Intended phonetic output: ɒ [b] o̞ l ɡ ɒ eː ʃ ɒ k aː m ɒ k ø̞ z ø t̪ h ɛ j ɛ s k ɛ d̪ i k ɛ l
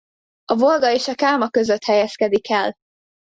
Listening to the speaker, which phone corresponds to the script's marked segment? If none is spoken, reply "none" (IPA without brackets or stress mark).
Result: v